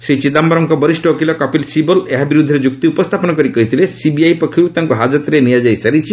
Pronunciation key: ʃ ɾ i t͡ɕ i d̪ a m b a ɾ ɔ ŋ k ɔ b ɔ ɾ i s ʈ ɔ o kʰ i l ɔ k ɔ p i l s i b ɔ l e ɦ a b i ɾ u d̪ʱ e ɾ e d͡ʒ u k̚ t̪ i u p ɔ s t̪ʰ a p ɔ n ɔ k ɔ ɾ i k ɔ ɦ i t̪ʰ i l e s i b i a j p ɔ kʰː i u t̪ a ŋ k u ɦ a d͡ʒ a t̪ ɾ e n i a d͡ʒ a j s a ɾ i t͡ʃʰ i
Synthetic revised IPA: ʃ ɾ i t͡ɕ i d̪ a m b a ɾ ɔ ŋ k ɔ b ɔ ɾ i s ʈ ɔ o k i l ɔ k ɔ p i l s i b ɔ l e ɦ a b i ɾ u d̪ʱ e ɾ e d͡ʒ u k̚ t̪ i u p ɔ s t̪ʰ a p ɔ n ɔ k ɔ ɾ i k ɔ ɦ i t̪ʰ i l e s i b i a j p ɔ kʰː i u t̪ a ŋ k u ɦ a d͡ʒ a t̪ ɾ e n i a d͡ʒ a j s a ɾ i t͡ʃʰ i